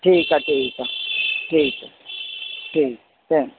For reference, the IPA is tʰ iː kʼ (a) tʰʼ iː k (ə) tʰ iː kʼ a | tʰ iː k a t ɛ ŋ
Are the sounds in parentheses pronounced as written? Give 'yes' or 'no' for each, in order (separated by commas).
yes, no